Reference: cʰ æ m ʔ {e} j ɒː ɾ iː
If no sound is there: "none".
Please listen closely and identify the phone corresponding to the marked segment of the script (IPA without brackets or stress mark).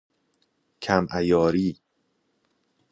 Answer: æ